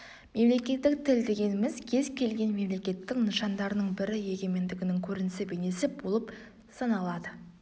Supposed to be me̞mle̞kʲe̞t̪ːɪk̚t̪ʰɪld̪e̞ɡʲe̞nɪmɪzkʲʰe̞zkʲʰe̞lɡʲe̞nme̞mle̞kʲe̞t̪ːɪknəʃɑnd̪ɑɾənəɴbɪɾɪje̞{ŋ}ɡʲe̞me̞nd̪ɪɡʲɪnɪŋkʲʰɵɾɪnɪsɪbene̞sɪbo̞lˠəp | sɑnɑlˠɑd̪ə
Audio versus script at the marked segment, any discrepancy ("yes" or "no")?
yes